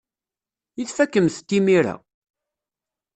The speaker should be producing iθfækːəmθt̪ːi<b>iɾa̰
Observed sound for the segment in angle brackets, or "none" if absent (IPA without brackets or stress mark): m